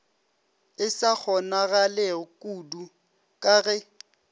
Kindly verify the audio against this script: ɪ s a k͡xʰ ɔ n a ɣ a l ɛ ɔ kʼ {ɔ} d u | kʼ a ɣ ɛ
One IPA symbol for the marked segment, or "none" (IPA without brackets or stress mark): u